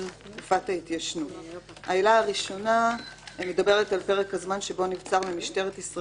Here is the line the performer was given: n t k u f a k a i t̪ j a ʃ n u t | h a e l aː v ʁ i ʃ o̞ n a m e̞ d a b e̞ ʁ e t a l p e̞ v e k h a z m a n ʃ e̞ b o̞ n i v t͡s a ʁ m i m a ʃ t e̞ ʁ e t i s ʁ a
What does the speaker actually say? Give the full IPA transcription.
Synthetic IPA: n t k u f a t a i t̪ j a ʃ n u t | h a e l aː ʁ i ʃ o̞ n a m e̞ d a b e̞ ʁ e t a l p e̞ ʁ e k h a z m a n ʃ e̞ b o̞ n i v t͡s a ʁ m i m i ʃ t e̞ ʁ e t i s ʁ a